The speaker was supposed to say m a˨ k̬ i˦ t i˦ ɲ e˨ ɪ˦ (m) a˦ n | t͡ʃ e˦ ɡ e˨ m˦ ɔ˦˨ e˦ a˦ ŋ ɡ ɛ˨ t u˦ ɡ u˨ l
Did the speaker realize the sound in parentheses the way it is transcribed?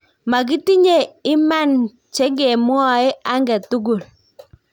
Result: yes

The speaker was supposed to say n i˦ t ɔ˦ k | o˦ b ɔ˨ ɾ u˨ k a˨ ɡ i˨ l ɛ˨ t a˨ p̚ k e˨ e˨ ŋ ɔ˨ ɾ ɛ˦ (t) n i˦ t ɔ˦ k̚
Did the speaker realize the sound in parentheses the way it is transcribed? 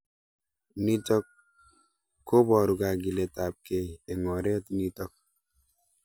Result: yes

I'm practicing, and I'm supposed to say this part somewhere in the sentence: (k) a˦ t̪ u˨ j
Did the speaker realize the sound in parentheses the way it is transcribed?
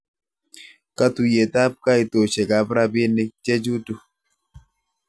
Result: yes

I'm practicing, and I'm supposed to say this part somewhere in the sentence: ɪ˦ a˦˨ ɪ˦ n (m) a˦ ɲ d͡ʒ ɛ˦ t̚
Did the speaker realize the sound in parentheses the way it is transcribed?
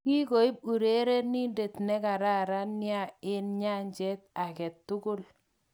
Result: no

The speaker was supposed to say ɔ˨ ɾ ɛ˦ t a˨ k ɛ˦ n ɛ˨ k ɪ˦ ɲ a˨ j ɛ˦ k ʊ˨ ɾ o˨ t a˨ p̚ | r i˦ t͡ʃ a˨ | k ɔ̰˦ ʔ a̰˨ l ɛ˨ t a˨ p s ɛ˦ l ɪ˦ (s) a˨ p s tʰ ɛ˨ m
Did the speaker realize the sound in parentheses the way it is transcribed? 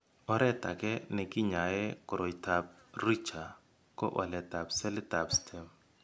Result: no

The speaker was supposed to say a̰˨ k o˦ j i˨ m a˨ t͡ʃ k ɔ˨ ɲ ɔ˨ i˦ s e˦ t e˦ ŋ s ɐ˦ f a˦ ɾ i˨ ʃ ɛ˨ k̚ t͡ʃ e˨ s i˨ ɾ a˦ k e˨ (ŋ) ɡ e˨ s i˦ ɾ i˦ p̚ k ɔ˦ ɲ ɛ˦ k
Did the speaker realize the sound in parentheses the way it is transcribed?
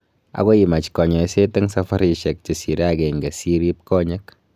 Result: yes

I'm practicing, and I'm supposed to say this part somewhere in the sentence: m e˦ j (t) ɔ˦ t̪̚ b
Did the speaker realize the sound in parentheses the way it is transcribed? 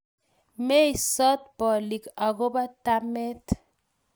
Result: no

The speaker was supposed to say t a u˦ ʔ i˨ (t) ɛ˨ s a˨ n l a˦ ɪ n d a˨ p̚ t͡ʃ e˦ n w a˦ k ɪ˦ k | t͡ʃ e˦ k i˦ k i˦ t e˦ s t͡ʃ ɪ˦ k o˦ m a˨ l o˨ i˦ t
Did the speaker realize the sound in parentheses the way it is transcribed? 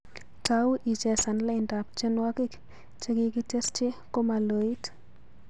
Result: no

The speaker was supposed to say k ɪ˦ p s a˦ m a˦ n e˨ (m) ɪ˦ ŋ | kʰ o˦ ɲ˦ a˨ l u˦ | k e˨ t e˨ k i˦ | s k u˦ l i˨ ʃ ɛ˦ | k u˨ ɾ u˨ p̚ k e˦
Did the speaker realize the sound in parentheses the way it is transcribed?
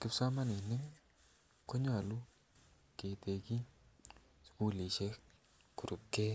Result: no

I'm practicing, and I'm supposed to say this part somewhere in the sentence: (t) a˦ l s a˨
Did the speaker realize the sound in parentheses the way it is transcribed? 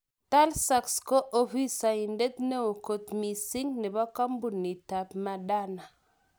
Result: yes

